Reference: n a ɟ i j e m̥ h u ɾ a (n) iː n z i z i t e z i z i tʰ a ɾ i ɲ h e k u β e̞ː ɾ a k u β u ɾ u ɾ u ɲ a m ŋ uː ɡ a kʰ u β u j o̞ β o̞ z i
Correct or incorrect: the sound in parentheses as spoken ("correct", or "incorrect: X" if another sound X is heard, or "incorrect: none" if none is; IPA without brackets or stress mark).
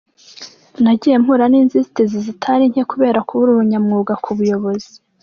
correct